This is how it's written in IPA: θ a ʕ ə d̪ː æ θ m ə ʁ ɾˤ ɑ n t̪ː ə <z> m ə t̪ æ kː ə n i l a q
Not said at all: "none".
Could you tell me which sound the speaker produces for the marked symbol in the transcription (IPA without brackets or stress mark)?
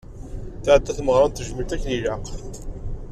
ʒ